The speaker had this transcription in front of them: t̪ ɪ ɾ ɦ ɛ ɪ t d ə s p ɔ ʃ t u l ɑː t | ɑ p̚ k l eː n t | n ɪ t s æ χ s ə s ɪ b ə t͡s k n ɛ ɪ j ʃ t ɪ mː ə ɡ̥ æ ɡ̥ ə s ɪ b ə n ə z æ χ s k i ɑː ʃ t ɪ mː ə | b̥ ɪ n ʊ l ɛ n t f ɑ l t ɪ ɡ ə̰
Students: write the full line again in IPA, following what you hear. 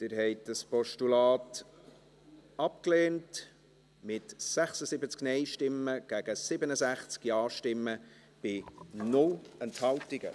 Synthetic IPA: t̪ ɪ ɾ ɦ ɛ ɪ t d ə s p ɔ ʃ t u l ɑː t | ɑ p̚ k l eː n t | m ɪ t s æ χ s ə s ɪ b ə t͡s k n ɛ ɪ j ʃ t ɪ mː ə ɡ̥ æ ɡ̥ ə s ɪ b ə n ə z æ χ t͡s k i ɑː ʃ t ɪ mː ə | b̥ ɪ n ʊ l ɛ n t h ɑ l t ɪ ɡ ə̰